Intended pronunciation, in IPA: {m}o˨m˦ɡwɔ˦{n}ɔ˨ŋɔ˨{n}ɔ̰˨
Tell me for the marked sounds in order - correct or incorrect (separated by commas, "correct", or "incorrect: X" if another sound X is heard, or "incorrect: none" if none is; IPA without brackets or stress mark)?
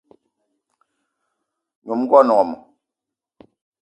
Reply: incorrect: ɲ, correct, incorrect: m